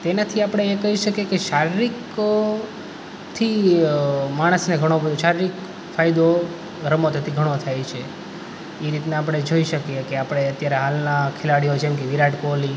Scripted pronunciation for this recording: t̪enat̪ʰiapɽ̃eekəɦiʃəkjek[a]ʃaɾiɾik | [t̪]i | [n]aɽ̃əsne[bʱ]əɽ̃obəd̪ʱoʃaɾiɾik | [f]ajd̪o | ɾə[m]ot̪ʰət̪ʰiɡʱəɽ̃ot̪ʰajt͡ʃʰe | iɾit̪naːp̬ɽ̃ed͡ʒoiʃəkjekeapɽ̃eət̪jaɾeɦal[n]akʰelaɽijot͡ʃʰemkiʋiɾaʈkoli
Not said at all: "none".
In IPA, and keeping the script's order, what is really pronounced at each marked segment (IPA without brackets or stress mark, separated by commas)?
e, t̪ʰ, m, ɡʱ, f, m, n